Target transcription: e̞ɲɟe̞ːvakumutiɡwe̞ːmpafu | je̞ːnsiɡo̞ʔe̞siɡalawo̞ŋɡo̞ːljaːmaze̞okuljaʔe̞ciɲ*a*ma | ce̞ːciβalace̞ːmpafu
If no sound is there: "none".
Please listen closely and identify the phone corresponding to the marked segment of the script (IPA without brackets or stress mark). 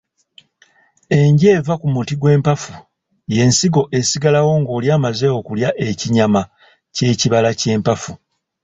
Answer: a